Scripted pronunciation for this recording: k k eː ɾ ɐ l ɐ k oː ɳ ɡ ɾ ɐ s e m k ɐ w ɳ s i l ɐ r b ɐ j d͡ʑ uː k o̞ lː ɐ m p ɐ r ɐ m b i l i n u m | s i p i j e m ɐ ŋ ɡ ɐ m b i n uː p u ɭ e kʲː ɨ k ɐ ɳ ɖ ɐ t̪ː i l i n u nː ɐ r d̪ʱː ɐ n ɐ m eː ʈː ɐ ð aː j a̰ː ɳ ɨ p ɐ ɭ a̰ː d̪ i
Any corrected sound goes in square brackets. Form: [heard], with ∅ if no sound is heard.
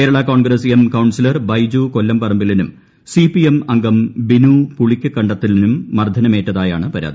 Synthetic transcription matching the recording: k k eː ɾ ɐ [ɭ] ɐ k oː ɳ ɡ ɾ ɐ s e m k ɐ w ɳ s i l ɐ r b ɐ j d͡ʑ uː k o̞ lː ɐ m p ɐ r ɐ m b i l i n u m | s i p i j e m ɐ ŋ ɡ ɐ m b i n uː p u ɭ [i] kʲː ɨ k ɐ ɳ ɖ ɐ t̪ː i l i n u [mː] ɐ r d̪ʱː ɐ n ɐ m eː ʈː ɐ ð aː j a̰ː ɳ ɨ p ɐ [ɾ] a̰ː d̪ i